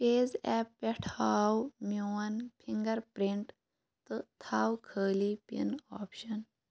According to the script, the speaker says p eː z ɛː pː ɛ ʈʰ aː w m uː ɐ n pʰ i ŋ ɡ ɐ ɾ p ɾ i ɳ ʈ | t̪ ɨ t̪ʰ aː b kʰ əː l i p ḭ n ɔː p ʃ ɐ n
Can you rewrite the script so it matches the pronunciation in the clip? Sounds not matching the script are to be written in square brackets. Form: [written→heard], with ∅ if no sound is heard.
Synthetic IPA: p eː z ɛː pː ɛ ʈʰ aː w m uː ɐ n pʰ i ŋ ɡ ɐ ɾ p ɾ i ɳ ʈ | t̪ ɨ t̪ʰ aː [b→w] kʰ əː l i p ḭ n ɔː p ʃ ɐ n